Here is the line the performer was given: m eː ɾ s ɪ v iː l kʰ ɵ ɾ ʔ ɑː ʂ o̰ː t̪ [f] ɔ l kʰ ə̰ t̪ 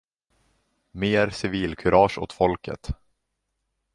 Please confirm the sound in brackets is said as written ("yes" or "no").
yes